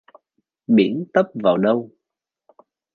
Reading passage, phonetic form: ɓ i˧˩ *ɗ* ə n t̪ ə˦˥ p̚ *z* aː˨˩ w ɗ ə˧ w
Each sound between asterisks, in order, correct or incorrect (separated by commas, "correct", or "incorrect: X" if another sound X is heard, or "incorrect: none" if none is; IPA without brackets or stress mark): incorrect: none, incorrect: v